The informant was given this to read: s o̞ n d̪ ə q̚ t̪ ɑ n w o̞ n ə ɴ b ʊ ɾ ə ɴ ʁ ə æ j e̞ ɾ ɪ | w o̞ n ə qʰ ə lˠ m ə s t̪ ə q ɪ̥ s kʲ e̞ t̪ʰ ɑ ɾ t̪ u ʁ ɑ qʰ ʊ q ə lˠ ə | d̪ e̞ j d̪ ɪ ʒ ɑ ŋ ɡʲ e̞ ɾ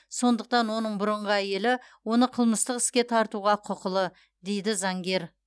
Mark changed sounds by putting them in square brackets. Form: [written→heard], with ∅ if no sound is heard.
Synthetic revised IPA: s o̞ n d̪ ə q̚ t̪ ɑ n w o̞ n ə ɴ b ʊ ɾ ə ɴ ʁ ə æ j e̞ [ɾ→l] ɪ | w o̞ n ə qʰ ə lˠ m ə s t̪ ə q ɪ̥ s kʲ e̞ t̪ʰ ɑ ɾ t̪ u ʁ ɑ qʰ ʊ q ə lˠ ə | d̪ e̞ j d̪ ɪ [ʒ→z] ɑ ŋ ɡʲ e̞ ɾ